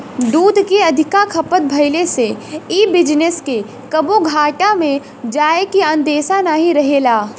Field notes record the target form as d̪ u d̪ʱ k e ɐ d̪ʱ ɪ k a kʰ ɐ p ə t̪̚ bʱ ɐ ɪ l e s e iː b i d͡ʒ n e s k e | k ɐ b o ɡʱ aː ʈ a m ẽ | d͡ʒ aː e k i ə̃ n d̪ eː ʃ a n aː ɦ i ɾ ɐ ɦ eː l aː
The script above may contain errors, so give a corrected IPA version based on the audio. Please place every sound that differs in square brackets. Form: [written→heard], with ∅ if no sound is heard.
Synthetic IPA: d̪ [u→uː] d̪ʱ k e ɐ d̪ʱ ɪ k a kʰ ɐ p ə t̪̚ bʱ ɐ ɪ l e s e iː b [i→ɪ] d͡ʒ n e s k e | k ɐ b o ɡʱ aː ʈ a m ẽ | d͡ʒ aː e k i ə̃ n d̪ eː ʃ a n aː ɦ i ɾ ɐ ɦ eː l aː